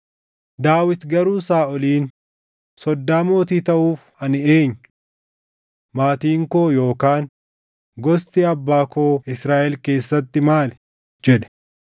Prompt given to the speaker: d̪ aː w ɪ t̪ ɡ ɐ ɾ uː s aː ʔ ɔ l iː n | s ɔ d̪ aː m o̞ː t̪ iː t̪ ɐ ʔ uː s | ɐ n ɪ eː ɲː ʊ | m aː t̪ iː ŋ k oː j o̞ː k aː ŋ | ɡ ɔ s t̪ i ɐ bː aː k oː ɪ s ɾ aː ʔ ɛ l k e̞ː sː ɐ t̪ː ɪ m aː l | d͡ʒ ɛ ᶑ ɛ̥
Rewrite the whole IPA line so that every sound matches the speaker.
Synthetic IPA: d̪ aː w ɪ t̪ ɡ ɐ ɾ uː s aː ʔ ɔ l iː n | s ɔ d̪ː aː m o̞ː t̪ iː t̪ ɐ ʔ uː f | ɐ n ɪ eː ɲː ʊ | m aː t̪ iː ŋ k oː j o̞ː k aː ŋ | ɡ ɔ s t̪ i ɐ bː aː k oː ɪ s ɾ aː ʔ ɛ l k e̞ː sː ɐ t̪ː ɪ m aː l | d͡ʒ ɛ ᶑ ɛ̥